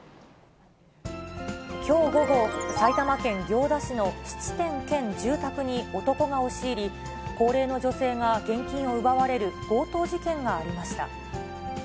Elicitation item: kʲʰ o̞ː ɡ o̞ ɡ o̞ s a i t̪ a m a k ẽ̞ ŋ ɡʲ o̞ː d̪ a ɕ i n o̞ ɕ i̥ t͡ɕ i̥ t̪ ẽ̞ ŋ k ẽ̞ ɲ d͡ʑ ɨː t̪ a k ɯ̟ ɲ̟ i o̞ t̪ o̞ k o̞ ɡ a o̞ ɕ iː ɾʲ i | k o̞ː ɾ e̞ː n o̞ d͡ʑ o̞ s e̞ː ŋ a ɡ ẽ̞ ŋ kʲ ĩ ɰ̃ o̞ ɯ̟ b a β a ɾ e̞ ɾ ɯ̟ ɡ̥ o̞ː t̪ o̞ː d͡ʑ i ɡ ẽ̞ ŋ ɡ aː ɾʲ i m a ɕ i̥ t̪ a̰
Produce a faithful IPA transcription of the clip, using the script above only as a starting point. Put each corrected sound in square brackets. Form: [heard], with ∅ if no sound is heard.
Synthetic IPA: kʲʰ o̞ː ɡ o̞ ɡ o̞ s a i t̪ a m a k ẽ̞ ŋ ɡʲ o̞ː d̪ a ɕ i n o̞ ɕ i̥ t͡ɕ i̥ t̪ ẽ̞ ŋ k ẽ̞ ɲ d͡ʑ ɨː t̪ a k ɯ̟ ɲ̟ i o̞ t̪ o̞ k o̞ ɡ a o̞ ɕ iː ɾʲ i | k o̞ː ɾ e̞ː n o̞ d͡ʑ o̞ s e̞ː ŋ a ɡ ẽ̞ ŋ kʲ ĩ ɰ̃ o̞ ɯ̟ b a β a ɾ e̞ ɾ ɯ̟ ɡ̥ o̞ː t̪ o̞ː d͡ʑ i [k] ẽ̞ ŋ ɡ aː ɾʲ i m a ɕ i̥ t̪ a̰